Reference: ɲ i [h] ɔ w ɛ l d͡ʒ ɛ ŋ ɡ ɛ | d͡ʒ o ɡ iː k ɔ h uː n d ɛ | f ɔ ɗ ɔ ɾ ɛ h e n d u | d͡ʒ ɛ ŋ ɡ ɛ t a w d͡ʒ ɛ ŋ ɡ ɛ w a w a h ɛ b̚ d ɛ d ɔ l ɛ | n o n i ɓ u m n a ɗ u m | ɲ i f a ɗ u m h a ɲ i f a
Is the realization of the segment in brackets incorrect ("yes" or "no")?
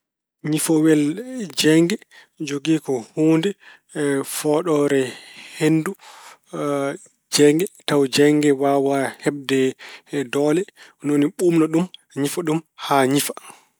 yes